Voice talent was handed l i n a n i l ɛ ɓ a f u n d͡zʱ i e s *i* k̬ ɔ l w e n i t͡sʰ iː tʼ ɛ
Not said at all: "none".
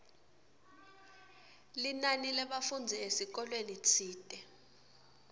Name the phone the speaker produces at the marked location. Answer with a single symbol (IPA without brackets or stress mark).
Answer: i